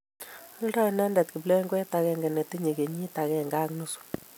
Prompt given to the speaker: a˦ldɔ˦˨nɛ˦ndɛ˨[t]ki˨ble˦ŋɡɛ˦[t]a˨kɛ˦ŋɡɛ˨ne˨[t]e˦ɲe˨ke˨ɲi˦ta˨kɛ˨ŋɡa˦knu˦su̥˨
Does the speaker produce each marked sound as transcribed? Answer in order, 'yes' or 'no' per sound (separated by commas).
yes, yes, yes